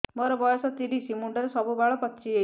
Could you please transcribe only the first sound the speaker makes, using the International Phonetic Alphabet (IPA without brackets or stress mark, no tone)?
m